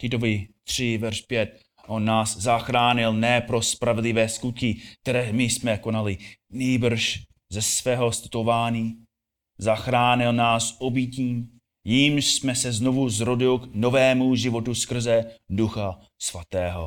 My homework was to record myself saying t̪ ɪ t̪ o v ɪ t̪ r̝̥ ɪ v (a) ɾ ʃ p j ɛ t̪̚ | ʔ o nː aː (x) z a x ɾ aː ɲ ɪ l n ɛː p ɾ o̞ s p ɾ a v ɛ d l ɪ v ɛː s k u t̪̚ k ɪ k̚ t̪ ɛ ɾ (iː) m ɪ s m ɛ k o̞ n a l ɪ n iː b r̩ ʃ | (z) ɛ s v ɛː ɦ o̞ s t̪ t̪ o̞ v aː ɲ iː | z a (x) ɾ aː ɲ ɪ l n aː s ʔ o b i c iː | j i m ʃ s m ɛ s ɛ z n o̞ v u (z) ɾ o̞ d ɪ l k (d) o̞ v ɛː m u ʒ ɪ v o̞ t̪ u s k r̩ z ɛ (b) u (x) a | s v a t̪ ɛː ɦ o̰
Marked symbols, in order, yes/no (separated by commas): no, no, no, yes, yes, yes, no, no, yes